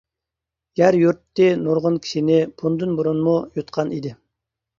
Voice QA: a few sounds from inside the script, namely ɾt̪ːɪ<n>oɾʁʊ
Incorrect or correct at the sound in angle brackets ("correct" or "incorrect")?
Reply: correct